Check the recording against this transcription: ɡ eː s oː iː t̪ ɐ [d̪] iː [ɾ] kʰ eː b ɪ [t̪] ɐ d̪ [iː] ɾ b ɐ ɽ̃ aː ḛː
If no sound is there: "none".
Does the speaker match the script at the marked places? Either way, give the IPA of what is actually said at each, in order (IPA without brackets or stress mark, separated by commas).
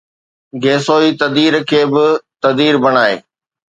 d̪, ɾ, t̪, iː